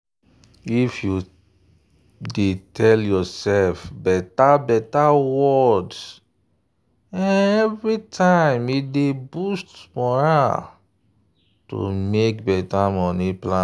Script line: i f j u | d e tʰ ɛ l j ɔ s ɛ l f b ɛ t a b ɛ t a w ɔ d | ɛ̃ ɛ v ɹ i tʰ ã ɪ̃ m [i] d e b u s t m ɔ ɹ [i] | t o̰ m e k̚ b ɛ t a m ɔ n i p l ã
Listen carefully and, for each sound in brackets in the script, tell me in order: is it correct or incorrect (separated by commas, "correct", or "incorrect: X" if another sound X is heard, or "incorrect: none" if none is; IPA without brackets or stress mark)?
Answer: correct, incorrect: a